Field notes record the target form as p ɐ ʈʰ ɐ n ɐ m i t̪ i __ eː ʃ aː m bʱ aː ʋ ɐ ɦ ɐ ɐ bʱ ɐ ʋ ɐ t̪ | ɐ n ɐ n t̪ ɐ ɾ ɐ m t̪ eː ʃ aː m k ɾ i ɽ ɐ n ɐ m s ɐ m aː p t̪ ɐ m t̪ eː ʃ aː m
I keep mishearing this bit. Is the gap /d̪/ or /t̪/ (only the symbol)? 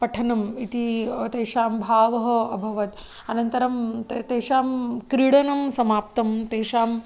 t̪